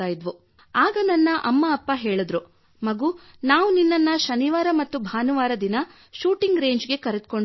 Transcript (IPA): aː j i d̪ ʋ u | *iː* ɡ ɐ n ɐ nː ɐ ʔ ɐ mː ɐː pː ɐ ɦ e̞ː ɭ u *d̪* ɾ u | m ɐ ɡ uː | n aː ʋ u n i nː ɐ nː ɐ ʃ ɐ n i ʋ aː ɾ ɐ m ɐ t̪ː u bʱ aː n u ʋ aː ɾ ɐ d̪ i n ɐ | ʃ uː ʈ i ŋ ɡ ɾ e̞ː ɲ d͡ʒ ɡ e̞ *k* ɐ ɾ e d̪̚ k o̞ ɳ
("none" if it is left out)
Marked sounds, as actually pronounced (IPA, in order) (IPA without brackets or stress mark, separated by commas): aː, d̪, k